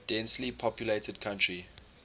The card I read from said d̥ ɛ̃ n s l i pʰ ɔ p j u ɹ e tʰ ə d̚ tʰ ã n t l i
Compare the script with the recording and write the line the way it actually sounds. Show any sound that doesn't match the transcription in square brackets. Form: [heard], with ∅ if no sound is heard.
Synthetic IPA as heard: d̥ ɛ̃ n s l i pʰ ɔ p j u [l] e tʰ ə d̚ [kʰ] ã n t [ɹ] i